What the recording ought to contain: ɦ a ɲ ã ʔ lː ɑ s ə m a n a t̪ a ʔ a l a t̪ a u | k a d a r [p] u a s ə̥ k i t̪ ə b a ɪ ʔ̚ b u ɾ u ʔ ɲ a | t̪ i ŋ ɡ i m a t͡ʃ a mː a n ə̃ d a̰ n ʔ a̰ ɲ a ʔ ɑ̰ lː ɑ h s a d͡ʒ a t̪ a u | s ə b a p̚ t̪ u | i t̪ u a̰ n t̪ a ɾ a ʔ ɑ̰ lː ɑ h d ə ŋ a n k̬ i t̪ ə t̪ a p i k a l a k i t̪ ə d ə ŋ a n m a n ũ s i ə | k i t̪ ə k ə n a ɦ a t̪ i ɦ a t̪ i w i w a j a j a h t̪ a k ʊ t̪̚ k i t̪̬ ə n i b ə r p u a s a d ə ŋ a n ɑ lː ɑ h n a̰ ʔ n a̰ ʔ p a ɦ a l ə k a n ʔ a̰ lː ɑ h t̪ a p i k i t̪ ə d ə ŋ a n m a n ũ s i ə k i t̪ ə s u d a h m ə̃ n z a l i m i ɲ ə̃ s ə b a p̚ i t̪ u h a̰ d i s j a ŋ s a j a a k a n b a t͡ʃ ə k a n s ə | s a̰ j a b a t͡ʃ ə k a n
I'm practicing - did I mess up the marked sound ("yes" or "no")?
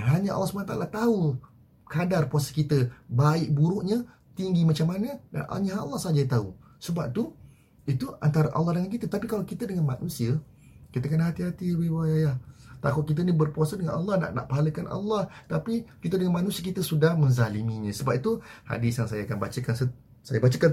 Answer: no